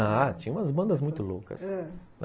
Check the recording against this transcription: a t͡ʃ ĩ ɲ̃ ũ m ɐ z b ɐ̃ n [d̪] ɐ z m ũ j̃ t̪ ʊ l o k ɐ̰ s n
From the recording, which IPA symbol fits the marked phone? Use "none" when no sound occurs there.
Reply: d̪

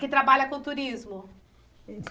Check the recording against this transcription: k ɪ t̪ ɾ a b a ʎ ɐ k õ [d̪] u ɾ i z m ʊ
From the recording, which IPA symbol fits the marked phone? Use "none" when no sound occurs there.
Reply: t̪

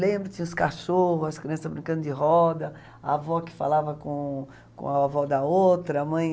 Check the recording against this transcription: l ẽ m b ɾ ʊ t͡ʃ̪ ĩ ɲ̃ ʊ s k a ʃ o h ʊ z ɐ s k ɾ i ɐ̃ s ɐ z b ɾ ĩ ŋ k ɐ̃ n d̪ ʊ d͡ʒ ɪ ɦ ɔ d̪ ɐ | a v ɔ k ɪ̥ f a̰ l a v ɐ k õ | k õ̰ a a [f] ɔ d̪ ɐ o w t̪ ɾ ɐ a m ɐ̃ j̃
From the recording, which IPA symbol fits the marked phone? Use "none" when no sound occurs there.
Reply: v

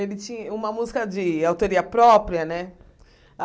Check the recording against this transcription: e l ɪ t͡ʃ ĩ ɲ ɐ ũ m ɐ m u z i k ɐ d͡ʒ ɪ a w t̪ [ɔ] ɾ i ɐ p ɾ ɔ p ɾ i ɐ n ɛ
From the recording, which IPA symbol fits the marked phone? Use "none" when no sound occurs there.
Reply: o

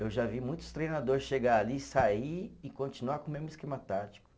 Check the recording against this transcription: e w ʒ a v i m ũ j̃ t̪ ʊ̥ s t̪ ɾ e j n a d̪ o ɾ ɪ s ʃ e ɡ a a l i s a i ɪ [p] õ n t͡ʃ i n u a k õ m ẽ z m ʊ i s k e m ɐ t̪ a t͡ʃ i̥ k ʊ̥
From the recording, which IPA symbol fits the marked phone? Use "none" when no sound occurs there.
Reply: k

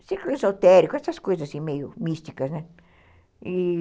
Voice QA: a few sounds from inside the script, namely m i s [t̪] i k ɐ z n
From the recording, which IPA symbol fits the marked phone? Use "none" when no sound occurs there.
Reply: t̪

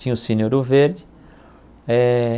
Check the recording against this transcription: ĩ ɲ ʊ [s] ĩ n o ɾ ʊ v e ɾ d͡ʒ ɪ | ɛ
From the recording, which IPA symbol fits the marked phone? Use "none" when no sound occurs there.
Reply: s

